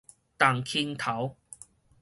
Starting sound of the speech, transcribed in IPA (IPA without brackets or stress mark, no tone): t̪